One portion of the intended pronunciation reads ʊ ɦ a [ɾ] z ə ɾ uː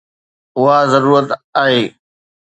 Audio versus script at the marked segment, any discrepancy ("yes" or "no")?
yes